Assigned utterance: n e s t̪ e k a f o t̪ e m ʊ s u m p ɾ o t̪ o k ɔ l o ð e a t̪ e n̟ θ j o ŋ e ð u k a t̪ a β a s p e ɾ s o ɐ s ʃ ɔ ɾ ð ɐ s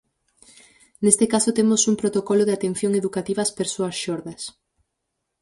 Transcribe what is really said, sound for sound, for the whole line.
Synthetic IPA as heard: n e s t̪ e k a s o t̪ e m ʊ s u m p ɾ o t̪ o k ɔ l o ð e a t̪ e n̟ θ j o ŋ e ð u k a t̪ i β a s p e ɾ s o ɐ s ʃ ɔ ɾ ð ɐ s